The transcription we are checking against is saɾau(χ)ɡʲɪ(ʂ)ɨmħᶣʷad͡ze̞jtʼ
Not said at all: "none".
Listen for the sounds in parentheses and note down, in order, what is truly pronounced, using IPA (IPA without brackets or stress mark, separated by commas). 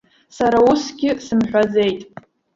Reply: s, s